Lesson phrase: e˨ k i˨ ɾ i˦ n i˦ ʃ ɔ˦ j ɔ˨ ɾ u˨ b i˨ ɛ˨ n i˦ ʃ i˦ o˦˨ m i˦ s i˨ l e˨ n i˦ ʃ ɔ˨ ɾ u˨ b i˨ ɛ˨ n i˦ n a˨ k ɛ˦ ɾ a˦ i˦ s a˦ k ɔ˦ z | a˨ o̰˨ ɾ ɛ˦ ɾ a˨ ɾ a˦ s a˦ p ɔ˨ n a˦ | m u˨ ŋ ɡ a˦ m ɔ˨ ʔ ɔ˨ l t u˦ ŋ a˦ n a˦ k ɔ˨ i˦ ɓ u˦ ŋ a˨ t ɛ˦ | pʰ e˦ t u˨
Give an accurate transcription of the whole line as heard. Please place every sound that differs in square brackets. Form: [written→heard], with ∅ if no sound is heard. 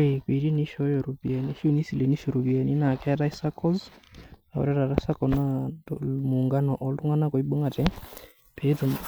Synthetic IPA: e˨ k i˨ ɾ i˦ n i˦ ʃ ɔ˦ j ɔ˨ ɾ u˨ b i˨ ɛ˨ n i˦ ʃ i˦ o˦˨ [m→n] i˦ s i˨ l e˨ n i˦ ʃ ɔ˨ ɾ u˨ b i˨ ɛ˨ n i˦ n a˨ k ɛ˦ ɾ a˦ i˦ s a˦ k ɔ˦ z | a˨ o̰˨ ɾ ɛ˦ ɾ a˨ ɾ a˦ s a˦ [p→k] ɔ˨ n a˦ | m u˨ ŋ ɡ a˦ [m→n] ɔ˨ ʔ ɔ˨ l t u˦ ŋ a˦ n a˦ k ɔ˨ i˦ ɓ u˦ ŋ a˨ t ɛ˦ | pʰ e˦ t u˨